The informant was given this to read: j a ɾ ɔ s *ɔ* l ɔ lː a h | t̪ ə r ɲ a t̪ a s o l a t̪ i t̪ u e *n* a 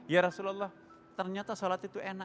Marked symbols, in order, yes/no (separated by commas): no, yes